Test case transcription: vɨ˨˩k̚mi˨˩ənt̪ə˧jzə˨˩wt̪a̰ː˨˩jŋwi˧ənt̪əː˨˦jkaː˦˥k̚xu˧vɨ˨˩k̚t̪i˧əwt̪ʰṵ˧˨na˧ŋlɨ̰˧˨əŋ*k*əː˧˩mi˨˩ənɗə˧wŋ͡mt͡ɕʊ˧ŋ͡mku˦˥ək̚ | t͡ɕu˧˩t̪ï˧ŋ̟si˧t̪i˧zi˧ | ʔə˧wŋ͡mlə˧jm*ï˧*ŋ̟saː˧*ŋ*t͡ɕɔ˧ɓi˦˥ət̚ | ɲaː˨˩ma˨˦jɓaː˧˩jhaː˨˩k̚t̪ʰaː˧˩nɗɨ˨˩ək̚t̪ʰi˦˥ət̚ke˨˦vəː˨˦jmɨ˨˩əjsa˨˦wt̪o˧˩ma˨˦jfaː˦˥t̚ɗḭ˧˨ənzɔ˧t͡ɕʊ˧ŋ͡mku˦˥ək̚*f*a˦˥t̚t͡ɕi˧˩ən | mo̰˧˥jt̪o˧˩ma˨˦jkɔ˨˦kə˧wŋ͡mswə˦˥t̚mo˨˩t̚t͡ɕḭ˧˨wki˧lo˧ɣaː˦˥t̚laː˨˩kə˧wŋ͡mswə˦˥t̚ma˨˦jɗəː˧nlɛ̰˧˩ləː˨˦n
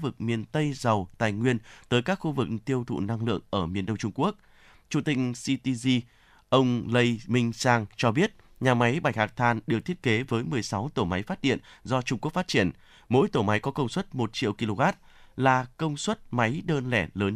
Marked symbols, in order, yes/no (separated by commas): no, yes, yes, yes